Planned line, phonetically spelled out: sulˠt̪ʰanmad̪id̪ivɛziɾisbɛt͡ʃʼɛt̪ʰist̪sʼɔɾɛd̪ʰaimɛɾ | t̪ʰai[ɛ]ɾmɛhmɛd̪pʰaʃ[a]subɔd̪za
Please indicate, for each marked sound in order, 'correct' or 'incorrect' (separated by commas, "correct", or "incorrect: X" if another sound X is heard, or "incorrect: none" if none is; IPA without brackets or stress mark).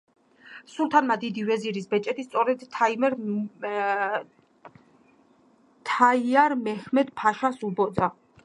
incorrect: a, correct